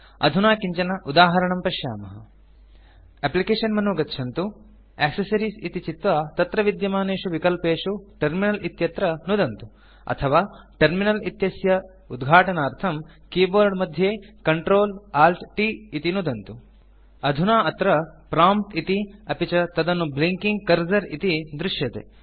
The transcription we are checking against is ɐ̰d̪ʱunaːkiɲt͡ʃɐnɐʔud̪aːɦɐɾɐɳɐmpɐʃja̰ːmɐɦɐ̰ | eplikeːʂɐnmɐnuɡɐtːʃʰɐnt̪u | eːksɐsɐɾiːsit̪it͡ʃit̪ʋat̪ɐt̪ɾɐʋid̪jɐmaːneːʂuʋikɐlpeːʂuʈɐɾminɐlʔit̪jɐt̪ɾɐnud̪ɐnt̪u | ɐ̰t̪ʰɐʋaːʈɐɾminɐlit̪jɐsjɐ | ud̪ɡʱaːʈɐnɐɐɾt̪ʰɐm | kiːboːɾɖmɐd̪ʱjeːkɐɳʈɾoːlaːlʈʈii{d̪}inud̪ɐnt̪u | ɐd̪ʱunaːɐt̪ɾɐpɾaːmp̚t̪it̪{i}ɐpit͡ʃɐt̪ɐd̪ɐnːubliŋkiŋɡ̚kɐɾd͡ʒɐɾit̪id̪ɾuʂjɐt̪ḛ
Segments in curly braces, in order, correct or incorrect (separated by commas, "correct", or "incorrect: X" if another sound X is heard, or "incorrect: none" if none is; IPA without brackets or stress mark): incorrect: t̪, correct